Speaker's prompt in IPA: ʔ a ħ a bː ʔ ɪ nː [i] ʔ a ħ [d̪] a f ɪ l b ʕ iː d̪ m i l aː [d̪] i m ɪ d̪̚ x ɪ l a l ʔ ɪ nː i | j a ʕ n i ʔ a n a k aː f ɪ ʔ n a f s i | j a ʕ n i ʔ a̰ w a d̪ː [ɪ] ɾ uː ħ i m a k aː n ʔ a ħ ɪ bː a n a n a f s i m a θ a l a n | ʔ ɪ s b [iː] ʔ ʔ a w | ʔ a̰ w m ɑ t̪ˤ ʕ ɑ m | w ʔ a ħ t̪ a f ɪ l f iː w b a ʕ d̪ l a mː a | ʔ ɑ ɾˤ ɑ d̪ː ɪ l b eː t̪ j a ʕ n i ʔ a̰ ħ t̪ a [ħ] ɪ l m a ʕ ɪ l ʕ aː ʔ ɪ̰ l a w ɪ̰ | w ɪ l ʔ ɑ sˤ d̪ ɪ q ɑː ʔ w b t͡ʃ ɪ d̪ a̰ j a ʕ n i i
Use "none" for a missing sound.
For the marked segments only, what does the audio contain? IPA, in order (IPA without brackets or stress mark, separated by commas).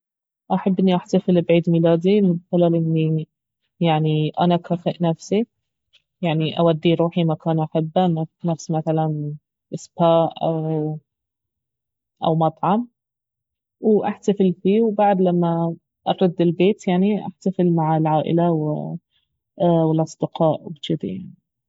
i, t̪, d̪, i, aː, f